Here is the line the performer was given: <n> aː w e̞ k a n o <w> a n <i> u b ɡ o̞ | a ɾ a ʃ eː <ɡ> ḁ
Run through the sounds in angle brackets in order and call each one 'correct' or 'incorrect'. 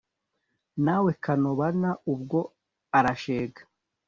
correct, incorrect, incorrect, correct

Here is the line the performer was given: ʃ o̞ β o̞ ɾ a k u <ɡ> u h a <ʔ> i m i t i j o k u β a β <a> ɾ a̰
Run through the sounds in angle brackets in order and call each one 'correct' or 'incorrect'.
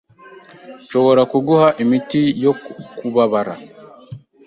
correct, correct, correct

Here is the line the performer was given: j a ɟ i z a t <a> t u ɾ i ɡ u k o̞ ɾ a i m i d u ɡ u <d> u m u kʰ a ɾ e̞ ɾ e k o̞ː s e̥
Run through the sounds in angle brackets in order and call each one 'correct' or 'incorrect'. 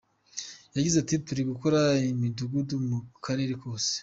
incorrect, correct

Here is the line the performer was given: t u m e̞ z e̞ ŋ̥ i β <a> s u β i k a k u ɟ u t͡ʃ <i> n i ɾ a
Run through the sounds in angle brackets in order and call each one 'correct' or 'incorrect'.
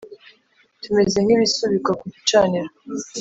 incorrect, incorrect

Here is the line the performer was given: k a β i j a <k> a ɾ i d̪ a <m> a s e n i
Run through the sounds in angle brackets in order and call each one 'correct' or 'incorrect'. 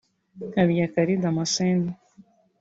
correct, correct

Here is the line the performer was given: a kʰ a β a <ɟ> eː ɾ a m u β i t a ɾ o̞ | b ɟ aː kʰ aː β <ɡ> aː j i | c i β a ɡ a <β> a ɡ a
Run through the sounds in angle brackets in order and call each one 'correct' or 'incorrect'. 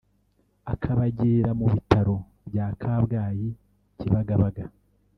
correct, correct, correct

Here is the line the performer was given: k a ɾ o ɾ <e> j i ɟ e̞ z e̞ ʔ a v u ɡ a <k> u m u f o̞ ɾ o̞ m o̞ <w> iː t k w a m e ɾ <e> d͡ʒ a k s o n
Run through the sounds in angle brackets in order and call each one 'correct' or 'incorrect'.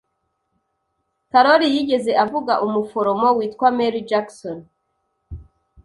incorrect, incorrect, correct, incorrect

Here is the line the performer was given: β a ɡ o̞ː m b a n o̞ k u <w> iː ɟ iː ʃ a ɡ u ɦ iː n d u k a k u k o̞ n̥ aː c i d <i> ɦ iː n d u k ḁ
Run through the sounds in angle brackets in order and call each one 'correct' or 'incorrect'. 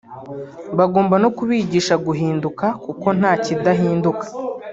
incorrect, incorrect

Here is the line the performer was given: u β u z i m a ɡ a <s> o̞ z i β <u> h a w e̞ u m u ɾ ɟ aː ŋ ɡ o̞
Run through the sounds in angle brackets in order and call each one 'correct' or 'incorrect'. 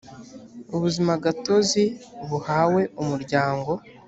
incorrect, correct

